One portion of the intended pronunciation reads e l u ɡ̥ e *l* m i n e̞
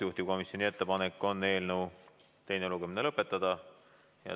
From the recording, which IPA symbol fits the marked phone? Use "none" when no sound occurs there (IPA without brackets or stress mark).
none